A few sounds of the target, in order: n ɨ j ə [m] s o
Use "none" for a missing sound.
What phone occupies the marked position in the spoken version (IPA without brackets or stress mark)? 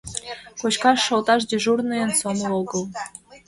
n